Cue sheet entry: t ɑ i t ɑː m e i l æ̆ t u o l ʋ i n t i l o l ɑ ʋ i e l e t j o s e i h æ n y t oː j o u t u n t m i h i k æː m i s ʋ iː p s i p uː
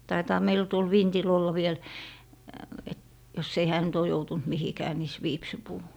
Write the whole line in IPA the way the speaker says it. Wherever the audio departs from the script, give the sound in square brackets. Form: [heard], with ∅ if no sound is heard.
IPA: t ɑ i t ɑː m e i l æ̆ t u o l ʋ i n t i l o [lː] ɑ ʋ i e l e t j o s e i h [æː] n y t oː j o u t u n t m i h i k æː m i s ʋ iː p s i p uː